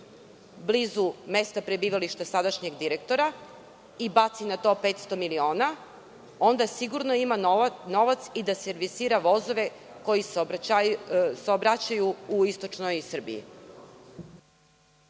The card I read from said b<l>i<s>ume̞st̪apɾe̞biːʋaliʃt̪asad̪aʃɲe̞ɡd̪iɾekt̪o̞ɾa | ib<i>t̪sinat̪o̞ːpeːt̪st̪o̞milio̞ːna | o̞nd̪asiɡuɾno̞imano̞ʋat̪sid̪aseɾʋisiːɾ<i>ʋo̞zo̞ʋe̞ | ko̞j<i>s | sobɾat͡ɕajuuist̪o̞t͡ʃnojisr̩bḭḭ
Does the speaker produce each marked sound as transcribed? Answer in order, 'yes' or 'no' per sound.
yes, no, no, no, yes

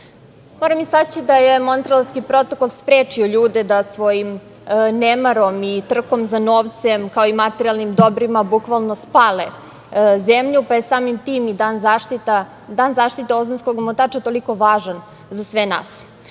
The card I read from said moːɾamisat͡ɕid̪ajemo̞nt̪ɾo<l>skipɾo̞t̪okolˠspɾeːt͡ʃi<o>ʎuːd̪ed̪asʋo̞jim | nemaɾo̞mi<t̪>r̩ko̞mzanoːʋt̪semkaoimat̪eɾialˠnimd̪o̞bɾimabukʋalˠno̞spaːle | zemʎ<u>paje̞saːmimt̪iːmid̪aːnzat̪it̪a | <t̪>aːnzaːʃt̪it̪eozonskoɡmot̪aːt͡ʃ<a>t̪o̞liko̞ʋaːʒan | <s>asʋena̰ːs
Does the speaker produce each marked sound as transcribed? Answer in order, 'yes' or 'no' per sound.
yes, yes, yes, yes, no, yes, no

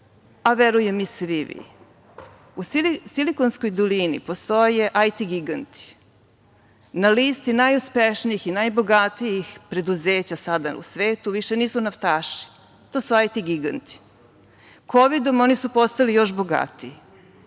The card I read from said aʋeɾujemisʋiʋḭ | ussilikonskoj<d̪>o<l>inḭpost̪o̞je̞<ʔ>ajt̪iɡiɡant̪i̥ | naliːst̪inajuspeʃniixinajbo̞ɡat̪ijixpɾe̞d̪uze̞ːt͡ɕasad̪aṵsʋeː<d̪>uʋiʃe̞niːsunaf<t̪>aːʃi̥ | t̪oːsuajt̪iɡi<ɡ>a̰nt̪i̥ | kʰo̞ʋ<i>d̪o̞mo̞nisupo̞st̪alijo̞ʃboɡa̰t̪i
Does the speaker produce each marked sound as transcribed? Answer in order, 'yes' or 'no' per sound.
yes, yes, yes, no, yes, yes, yes

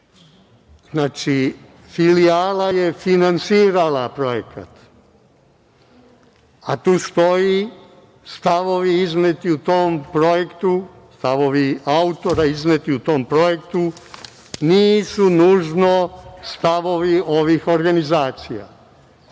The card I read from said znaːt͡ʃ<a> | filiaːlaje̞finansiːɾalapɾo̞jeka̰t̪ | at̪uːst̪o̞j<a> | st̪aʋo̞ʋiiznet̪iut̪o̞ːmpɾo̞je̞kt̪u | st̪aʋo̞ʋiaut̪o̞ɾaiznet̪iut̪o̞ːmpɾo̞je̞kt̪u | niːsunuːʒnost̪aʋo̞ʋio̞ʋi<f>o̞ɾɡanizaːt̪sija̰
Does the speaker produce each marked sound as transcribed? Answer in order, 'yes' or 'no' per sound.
no, no, no

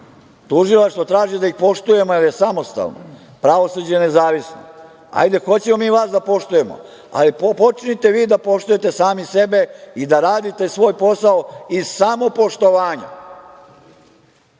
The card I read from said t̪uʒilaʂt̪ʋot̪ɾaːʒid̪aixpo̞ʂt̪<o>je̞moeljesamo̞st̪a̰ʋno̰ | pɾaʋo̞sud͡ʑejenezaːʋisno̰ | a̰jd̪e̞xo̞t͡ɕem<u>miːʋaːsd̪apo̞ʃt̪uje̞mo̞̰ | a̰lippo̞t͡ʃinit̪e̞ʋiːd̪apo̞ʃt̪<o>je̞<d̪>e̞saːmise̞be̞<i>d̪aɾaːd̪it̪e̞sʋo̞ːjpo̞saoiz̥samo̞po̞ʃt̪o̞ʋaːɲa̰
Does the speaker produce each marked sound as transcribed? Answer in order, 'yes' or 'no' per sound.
no, no, no, no, yes

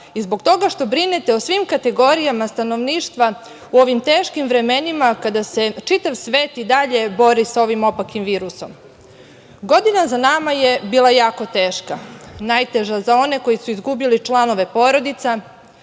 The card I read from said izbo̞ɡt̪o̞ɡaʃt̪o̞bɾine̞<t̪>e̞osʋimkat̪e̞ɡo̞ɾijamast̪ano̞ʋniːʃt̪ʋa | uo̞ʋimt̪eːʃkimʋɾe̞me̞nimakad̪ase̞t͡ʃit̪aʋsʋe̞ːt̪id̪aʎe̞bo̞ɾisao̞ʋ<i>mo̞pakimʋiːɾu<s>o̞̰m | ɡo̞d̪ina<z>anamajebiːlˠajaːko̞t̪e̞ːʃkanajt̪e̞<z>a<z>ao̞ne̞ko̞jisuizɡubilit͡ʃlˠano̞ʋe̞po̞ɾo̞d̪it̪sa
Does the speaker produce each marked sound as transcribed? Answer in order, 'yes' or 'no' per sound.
yes, yes, yes, yes, no, yes

